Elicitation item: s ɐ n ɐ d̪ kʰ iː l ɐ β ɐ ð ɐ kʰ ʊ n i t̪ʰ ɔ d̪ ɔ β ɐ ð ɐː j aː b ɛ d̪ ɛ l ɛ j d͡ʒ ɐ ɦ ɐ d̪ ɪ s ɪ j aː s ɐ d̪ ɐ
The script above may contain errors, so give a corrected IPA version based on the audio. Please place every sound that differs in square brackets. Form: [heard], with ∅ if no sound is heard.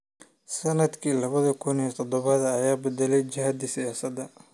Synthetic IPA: s ɐ n ɐ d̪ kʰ iː l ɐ β ɐ ð ɐ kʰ ʊ n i t̪ʰ ɔ d̪ ɔ β ɐ ð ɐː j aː b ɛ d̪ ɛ l ɛ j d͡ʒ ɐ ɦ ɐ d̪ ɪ s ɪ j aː s ɐ d̪ ɐ